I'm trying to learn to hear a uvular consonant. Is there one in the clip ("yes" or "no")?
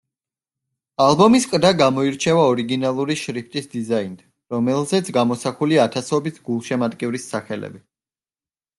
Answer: yes